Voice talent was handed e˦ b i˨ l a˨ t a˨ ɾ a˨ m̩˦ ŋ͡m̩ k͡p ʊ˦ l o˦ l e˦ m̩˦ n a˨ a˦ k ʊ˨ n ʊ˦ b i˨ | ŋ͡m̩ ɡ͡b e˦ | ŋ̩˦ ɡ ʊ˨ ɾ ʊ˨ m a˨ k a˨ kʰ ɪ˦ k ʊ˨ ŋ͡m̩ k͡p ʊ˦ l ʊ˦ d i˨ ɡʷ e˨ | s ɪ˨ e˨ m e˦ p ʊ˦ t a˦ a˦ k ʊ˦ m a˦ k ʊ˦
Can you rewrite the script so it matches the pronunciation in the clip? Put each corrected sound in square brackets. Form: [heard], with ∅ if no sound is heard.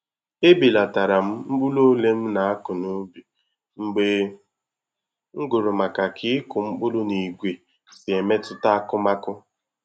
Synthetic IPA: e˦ b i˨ l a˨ t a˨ ɾ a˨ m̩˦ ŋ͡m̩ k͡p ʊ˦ l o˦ l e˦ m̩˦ n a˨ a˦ k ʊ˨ n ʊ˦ b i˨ | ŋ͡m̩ ɡ͡b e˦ | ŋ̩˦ ɡ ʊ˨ ɾ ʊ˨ m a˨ k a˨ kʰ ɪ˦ k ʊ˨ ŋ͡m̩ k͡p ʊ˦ l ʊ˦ [n] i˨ ɡʷ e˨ | s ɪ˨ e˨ m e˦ [t] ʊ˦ t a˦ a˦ k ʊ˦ m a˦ k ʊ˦